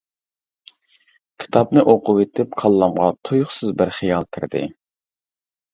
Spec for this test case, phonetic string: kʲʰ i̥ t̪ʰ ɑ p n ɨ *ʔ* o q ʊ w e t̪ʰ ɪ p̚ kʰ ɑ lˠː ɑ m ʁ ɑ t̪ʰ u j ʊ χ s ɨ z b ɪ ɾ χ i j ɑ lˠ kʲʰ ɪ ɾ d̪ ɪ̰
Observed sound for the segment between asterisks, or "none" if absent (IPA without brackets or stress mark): ʔ